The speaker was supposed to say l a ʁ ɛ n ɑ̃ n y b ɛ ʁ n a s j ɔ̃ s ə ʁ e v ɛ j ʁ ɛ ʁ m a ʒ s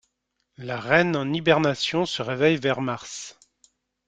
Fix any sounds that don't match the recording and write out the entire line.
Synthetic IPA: l a ʁ ɛ n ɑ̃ n i b ɛ ʁ n a s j ɔ̃ s ə ʁ e v ɛ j v ɛ ʁ m a ʁ s